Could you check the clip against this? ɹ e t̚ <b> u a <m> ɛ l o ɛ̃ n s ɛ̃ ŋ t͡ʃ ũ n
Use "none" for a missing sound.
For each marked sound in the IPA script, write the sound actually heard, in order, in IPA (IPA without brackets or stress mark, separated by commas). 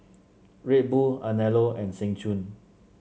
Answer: b, n